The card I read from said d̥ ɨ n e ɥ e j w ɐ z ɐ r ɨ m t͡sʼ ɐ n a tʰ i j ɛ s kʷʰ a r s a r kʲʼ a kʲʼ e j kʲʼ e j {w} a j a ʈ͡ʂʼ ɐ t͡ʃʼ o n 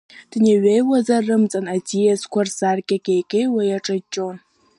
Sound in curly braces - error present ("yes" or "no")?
no